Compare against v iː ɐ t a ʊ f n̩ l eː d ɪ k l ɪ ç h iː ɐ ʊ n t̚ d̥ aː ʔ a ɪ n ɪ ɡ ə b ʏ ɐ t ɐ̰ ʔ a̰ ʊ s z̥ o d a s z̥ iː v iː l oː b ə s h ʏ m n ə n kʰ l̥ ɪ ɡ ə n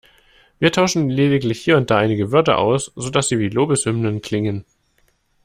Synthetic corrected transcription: v iː ɐ tʰ a ʊ ʃ n̩ l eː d ɪ k l ɪ ç h iː ɐ ʊ n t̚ d̥ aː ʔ a ɪ n ɪ ɡ ə v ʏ ɐ t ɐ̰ ʔ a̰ ʊ s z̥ o d a s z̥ iː v iː l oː b ə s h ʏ m n ə n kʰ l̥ ɪ ŋ ə n